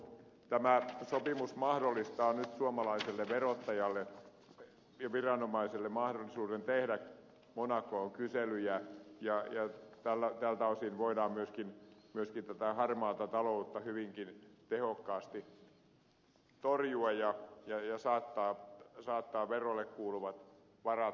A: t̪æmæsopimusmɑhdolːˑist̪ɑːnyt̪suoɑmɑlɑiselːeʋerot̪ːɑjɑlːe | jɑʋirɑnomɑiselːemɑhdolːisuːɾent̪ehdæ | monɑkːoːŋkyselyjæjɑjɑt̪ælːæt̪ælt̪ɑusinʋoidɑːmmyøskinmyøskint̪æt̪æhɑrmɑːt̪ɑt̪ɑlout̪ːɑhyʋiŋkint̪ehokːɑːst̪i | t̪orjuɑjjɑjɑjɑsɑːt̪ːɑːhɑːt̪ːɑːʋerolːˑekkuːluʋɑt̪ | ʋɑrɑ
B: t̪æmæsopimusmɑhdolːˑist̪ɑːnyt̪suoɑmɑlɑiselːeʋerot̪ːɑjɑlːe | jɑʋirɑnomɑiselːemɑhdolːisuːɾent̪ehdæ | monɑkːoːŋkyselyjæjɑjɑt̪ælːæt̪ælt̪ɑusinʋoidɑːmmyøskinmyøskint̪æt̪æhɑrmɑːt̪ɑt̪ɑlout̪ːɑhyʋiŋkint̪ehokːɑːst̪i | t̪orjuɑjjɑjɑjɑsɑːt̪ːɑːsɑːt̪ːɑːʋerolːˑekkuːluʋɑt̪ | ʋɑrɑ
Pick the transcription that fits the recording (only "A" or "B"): B